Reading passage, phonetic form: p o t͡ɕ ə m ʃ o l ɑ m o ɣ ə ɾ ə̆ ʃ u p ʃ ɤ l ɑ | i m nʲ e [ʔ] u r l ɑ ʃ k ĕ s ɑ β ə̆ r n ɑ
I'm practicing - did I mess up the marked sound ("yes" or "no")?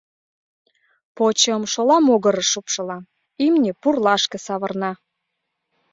yes